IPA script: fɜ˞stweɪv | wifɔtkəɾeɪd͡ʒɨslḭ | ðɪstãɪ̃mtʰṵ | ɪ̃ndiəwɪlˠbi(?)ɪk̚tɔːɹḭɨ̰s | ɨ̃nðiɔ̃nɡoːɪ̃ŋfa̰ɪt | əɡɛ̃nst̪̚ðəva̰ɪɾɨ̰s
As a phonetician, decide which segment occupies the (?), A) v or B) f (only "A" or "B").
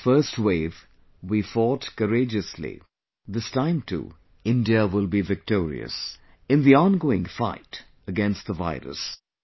A